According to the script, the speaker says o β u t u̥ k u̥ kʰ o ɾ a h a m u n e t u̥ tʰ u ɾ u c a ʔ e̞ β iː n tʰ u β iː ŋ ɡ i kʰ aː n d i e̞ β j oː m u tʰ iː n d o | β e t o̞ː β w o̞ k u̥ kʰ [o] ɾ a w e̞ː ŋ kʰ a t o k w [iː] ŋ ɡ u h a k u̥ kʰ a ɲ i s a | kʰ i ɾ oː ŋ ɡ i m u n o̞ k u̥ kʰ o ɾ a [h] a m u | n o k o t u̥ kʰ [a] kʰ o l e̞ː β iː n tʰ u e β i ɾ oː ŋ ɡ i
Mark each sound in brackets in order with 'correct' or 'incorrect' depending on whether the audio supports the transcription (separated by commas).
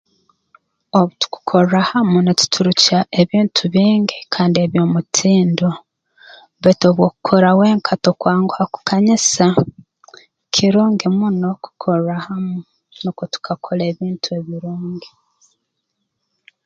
correct, incorrect, correct, correct